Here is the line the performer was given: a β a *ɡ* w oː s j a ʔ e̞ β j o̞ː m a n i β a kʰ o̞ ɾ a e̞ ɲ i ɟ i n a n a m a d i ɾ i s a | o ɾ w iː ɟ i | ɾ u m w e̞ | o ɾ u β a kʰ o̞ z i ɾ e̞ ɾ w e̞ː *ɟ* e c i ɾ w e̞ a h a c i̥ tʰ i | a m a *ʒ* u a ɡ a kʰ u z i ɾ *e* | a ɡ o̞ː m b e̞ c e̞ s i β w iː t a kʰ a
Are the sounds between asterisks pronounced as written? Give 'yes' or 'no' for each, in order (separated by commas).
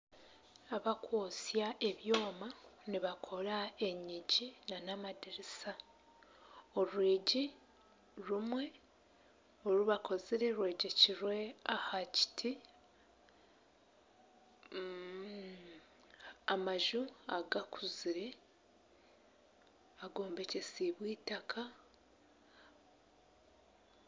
no, yes, yes, yes